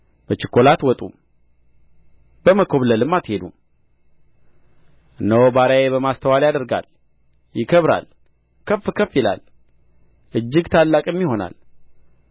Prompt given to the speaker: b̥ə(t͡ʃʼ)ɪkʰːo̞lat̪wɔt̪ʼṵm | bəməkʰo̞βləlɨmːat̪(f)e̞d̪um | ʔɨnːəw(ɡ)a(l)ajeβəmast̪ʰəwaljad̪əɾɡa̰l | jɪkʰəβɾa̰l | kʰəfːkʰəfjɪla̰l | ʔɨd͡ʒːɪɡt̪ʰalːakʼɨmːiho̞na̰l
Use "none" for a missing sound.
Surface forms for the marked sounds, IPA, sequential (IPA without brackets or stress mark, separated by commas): t͡ʃ, h, b, ɾ